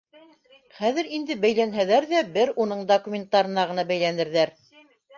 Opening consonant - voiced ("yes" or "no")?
no